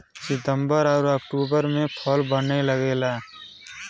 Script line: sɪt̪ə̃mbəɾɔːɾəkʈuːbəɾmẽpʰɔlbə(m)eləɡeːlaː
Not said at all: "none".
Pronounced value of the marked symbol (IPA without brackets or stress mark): n